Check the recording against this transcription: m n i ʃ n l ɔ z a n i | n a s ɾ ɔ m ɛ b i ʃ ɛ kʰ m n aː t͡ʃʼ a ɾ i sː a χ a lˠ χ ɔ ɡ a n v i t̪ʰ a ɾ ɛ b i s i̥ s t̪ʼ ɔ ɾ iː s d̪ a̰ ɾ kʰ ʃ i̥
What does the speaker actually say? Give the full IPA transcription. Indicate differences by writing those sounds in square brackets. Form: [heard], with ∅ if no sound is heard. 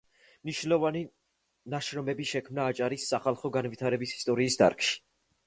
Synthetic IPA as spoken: m n i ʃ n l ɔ [v] a n i | n a [ʃ] ɾ ɔ m ɛ b i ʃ ɛ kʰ m n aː t͡ʃʼ a ɾ i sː a χ a lˠ χ ɔ ɡ a n v i t̪ʰ a ɾ ɛ b i s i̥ s t̪ʼ ɔ ɾ iː s d̪ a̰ ɾ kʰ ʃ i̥